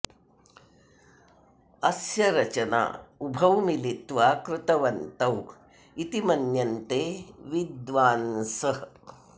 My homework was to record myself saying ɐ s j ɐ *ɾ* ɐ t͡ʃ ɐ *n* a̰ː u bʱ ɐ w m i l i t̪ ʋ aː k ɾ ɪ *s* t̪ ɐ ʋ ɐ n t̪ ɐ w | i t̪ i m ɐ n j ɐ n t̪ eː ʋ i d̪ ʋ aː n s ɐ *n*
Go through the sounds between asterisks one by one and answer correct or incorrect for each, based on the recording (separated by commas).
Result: correct, correct, incorrect, incorrect